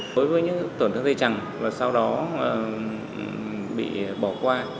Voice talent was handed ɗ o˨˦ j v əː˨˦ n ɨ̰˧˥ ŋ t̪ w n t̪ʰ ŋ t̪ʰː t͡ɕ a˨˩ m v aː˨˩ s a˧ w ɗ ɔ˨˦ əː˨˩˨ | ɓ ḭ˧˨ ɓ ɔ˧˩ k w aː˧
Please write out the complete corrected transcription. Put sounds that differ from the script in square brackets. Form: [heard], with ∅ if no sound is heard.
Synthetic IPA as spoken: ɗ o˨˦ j v əː˨˦ [ɲ] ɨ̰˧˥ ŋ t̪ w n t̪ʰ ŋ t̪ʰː t͡ɕ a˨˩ [ŋ] v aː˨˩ s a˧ w ɗ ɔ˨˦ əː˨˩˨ | ɓ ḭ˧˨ ɓ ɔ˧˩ k w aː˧